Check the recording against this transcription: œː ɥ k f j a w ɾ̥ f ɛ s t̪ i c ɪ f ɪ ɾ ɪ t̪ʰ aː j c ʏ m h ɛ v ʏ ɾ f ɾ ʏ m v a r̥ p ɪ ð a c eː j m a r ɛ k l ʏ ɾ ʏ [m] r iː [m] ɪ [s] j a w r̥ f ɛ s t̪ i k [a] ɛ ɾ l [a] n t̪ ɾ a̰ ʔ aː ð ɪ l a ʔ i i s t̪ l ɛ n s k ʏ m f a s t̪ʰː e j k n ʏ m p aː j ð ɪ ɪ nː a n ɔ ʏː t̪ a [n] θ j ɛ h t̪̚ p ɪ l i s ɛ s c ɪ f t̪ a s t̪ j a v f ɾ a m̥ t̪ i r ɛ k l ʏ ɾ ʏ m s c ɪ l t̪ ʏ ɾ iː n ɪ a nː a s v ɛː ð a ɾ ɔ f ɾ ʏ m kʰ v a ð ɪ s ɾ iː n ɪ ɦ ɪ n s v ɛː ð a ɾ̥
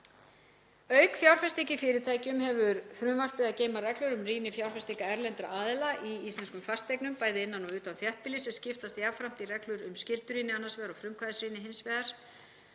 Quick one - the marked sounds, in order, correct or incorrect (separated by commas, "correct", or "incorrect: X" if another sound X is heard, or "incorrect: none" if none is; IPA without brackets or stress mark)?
correct, incorrect: n, incorrect: f, correct, incorrect: ɛ, correct